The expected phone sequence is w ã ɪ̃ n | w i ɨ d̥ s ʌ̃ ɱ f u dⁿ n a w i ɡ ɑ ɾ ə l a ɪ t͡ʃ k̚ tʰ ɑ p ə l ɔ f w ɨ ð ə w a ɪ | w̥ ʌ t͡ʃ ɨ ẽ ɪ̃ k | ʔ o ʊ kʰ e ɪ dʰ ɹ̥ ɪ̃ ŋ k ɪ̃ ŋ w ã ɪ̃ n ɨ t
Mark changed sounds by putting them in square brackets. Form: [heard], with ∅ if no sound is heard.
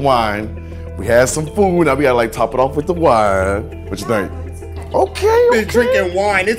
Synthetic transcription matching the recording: w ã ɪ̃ n | w i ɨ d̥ s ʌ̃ ɱ f u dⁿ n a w i ɡ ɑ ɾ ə l a ɪ [∅] k̚ tʰ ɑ p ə [ɾ] ɔ f w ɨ ð ə w a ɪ | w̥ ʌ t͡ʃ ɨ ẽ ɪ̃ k | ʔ o ʊ kʰ e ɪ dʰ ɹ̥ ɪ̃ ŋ k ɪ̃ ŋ w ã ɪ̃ n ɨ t